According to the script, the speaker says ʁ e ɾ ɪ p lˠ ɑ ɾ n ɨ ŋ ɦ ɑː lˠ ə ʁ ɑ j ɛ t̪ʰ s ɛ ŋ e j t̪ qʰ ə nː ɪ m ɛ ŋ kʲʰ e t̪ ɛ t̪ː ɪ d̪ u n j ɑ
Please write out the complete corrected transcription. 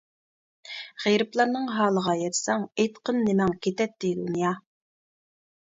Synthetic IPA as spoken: ʁ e ɾ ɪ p lˠ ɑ ɾ n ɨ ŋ ɦ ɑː lˠ ə ʁ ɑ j ɛ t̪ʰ s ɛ ŋ e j t̪ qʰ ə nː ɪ m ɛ ŋ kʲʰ e t̪ ɛ t̪ː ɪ d̪ u n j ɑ